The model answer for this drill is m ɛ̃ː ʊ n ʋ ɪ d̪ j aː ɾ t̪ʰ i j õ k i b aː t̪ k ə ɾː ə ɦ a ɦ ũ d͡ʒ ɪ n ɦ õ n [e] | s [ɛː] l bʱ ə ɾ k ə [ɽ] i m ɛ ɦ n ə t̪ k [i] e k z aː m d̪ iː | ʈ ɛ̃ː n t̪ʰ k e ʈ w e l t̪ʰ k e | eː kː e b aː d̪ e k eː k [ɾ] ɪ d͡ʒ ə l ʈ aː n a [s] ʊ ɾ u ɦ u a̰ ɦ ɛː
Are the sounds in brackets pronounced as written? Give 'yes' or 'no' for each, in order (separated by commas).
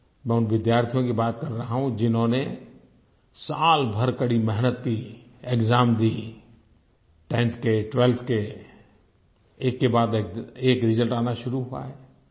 yes, no, yes, yes, yes, no